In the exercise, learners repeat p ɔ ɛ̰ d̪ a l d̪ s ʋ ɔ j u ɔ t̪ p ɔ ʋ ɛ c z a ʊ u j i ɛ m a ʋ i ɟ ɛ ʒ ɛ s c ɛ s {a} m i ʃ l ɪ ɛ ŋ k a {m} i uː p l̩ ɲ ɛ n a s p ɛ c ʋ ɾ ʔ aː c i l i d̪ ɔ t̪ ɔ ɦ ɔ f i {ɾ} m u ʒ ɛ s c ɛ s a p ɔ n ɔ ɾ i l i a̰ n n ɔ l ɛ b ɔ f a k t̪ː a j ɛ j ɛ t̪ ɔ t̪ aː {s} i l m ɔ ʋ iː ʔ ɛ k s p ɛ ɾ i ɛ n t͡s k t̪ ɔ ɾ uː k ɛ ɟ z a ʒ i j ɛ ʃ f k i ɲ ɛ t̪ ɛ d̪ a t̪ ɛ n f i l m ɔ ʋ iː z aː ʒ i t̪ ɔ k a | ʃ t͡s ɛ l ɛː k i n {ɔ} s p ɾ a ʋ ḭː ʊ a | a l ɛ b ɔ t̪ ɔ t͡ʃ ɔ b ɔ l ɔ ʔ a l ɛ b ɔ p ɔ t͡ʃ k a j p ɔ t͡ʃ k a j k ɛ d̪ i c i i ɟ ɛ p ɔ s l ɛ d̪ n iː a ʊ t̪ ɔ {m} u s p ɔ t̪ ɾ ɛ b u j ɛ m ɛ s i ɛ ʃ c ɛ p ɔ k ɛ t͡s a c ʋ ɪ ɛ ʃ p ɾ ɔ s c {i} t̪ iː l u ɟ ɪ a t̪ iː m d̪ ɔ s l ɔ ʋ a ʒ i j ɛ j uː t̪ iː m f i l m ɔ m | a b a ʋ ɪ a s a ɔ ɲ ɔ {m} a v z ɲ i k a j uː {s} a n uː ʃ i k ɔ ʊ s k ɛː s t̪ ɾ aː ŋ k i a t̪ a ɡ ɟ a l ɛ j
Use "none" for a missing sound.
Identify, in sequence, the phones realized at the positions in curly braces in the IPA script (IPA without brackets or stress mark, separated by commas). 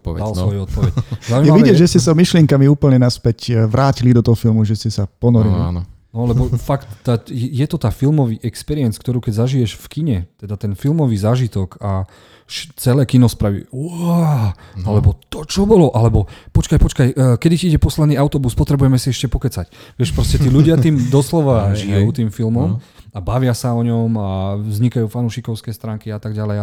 a, m, l, f, ɔ, b, ɛ, m, f